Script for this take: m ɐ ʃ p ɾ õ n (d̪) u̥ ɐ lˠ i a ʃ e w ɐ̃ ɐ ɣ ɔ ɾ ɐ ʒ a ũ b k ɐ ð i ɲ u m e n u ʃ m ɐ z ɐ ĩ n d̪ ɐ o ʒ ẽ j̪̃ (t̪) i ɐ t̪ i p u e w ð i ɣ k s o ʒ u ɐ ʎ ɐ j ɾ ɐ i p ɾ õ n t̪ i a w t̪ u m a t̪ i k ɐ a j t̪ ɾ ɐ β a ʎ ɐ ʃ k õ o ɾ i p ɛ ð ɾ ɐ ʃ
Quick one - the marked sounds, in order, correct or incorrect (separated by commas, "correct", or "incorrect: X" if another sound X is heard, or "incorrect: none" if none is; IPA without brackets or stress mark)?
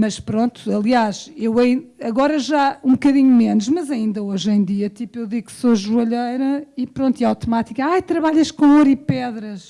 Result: incorrect: t̪, incorrect: d̪